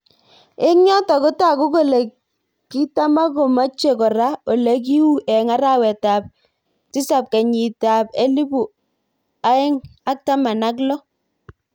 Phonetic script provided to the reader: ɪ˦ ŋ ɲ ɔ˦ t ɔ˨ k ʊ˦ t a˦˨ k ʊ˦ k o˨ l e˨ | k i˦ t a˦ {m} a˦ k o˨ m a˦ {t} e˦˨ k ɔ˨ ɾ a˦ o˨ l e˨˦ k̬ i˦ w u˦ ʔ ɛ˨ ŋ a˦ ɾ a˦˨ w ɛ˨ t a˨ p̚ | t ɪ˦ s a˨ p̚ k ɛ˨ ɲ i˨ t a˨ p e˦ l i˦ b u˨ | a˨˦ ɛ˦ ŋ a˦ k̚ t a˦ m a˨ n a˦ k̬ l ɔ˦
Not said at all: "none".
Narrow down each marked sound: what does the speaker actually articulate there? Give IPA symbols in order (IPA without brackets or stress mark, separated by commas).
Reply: m, t͡ʃ